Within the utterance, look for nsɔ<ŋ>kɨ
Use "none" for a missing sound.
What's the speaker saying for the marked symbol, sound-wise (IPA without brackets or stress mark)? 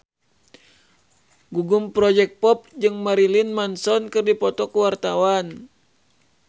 n